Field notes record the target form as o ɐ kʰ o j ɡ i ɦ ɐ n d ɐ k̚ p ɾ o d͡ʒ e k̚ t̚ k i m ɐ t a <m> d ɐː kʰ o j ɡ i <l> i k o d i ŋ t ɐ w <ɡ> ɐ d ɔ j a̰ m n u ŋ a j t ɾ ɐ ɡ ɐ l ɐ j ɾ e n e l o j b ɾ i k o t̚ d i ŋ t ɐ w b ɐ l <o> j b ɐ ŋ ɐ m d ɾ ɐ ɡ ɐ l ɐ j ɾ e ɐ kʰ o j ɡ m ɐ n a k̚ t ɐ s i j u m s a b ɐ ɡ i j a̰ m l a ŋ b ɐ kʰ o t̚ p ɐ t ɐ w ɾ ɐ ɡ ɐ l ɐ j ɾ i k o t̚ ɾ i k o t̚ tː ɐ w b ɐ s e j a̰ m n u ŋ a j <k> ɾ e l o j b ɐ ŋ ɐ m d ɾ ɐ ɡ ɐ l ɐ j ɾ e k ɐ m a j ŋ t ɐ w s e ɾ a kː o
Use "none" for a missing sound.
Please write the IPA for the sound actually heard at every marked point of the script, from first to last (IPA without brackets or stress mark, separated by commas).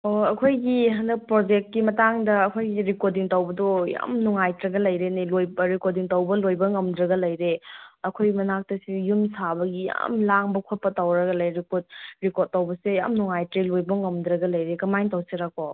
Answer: ŋ, ɾ, b, o, t